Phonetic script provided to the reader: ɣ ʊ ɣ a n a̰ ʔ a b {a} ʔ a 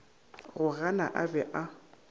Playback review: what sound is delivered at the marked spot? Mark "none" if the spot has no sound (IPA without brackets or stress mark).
ɛ